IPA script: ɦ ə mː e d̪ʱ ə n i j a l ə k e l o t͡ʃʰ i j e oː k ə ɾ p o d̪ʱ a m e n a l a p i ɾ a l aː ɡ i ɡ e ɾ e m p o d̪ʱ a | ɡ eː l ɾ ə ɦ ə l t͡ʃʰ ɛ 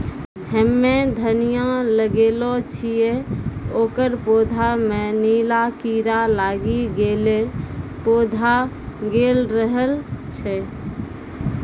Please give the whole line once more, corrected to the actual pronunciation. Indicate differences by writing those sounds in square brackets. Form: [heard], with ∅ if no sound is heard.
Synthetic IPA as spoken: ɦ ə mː e d̪ʱ ə n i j a l ə [ɡ] e l o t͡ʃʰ i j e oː k ə ɾ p o d̪ʱ a m e n [i] l a [k] i ɾ a l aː ɡ i ɡ e [l] e [∅] p o d̪ʱ a | ɡ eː l ɾ ə ɦ ə l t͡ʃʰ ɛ